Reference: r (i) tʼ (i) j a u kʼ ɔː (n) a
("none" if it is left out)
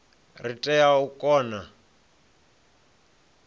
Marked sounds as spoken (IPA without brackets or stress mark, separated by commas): i, ɛ, n